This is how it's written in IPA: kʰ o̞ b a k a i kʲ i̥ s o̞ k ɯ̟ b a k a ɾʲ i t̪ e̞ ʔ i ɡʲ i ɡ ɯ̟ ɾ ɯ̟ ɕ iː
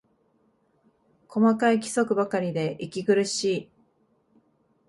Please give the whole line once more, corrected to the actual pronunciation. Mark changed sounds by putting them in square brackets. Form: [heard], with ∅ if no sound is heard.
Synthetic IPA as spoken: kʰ o̞ [m] a k a i kʲ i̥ s o̞ k ɯ̟ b a k a ɾʲ i [d̪] e̞ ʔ i [kʲ] i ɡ ɯ̟ ɾ ɯ̟ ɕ iː